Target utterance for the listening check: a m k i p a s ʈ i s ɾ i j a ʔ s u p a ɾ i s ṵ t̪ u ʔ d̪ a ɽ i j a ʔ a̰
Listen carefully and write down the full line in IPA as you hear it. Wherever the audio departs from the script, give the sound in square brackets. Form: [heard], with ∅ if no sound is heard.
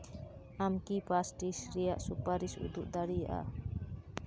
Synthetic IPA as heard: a m k i p a s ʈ i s ɾ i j a ʔ s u p a ɾ i s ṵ [d̪] u ʔ d̪ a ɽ i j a ʔ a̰